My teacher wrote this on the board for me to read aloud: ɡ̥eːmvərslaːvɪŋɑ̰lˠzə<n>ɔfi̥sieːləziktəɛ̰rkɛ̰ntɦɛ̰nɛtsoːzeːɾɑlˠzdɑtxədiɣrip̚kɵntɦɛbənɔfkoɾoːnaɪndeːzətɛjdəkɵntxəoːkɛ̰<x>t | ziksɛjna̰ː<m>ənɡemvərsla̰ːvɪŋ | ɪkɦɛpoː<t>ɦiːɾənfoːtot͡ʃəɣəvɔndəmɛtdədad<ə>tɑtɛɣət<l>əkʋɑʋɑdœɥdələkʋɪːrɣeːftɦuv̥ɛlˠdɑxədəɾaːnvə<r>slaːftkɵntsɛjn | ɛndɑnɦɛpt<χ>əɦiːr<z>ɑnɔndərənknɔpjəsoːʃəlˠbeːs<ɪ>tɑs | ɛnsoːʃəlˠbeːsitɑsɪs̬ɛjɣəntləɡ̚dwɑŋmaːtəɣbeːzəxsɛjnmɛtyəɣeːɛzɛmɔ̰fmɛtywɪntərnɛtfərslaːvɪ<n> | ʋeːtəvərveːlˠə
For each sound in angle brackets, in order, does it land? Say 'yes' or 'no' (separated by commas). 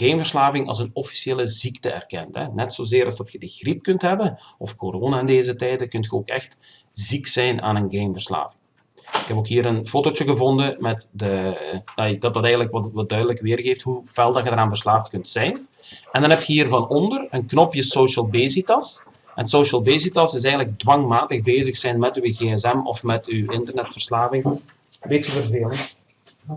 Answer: yes, yes, no, no, no, yes, yes, no, no, no, no